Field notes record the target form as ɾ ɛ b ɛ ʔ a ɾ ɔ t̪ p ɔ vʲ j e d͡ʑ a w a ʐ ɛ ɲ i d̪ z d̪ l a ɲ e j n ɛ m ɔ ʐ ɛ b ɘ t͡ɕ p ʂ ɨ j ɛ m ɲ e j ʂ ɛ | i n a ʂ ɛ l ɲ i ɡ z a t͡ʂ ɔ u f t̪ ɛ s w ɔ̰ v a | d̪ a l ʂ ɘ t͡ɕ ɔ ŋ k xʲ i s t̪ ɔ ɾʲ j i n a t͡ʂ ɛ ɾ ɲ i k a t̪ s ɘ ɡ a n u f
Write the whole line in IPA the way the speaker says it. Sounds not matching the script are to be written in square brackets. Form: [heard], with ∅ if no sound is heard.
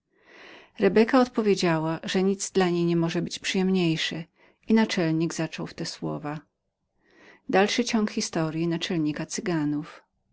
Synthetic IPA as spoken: ɾ ɛ b ɛ [k] a [∅] ɔ t̪ p ɔ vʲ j e d͡ʑ a w a ʐ ɛ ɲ i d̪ z d̪ l a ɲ e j [ɲ] ɛ m ɔ ʐ ɛ b ɘ t͡ɕ p ʂ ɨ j ɛ m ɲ e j ʂ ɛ | i n a [t͡ʂ] ɛ l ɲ i ɡ z a t͡ʂ ɔ [w] f t̪ ɛ s w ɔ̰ v a | d̪ a l ʂ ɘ t͡ɕ ɔ ŋ k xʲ i s t̪ ɔ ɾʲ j i n a t͡ʂ ɛ [l] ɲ i k a t̪ s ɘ ɡ a n u f